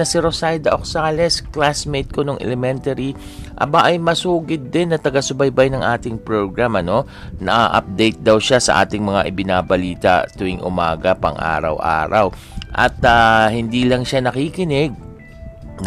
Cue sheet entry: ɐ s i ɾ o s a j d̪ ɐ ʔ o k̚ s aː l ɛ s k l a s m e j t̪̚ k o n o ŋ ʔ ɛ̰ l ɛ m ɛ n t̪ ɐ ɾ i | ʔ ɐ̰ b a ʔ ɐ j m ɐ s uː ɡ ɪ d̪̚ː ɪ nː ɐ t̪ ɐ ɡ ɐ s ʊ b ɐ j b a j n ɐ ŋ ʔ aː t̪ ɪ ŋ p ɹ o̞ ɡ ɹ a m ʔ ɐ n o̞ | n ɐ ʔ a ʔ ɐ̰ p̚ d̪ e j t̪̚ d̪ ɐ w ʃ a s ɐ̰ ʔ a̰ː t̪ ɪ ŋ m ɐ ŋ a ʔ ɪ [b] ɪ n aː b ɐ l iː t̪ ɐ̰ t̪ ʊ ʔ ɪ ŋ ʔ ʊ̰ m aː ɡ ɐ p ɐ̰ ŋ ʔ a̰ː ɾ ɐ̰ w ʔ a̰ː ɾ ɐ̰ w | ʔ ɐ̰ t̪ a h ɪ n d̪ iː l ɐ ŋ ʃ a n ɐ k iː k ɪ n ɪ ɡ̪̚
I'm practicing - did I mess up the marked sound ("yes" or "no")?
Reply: no